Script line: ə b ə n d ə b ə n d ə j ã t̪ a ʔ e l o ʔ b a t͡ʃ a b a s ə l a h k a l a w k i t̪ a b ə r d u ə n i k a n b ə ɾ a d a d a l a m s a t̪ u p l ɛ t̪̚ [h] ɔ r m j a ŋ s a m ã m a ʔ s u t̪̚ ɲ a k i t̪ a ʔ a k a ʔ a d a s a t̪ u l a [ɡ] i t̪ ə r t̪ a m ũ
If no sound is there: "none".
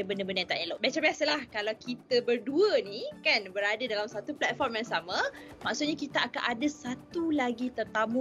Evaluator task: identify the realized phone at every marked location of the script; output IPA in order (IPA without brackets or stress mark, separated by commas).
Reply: f, ɡ